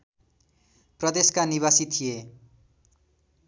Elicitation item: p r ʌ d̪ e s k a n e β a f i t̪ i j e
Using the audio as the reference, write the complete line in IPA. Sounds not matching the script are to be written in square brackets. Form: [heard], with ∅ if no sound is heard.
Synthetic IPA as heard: p r ʌ d̪ e s k a n [i] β a [s] i [t̪ʰ] i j e